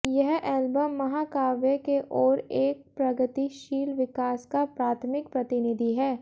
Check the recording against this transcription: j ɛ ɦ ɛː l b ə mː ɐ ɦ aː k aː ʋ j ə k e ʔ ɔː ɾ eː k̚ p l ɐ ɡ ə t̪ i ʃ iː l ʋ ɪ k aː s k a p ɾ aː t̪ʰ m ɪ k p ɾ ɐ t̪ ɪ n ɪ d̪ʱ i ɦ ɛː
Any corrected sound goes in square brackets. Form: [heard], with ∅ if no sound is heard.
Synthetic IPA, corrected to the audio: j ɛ ɦ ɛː l b ə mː ɐ ɦ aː k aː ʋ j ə k e ʔ ɔː ɾ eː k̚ p [ɾ] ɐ ɡ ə t̪ i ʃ iː l ʋ ɪ k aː s k a p ɾ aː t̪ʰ m ɪ k p ɾ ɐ t̪ ɪ n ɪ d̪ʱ i ɦ ɛː